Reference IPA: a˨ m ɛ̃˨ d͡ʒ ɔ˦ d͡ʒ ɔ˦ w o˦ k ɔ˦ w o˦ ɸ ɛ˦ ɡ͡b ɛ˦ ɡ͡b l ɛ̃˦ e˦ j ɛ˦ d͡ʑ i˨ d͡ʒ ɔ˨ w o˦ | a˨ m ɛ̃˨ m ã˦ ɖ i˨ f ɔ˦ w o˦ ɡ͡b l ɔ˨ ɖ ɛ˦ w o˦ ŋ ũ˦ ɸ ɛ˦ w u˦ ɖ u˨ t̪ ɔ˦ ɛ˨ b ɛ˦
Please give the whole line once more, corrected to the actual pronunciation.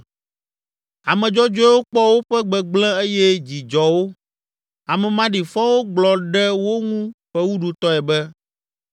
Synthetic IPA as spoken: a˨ m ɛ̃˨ d͡ʒ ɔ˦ d͡ʒ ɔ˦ w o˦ k͡p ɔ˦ w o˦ ɸ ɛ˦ ɡ͡b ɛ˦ ɡ͡b l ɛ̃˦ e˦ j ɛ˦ d͡ʑ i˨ d͡ʒ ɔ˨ w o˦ | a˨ m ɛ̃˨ m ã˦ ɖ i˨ f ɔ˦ w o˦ ɡ͡b l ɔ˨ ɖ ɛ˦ w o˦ ŋ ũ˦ ɸ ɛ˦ w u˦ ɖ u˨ t̪ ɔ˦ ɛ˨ b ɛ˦